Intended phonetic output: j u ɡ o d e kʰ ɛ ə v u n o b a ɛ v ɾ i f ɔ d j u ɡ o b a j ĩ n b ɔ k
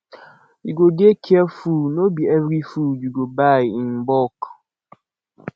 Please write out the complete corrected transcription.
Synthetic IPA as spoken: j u ɡ o d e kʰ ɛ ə f u n o b i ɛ v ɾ i f u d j u ɡ o b a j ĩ n b ɔ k